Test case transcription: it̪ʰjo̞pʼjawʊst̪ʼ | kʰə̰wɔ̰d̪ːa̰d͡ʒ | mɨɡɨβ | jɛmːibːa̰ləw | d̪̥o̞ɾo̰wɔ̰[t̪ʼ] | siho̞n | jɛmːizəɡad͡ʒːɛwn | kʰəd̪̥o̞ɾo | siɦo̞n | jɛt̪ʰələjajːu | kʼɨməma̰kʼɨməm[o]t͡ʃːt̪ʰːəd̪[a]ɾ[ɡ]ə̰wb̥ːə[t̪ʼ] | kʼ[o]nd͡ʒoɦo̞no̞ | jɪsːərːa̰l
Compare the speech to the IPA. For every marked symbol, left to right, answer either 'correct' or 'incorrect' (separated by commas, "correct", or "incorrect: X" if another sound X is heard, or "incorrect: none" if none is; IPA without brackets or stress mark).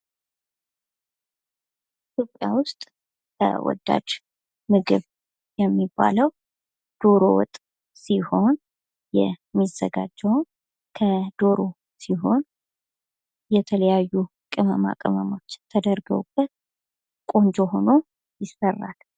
correct, correct, incorrect: ə, correct, incorrect: t̪, correct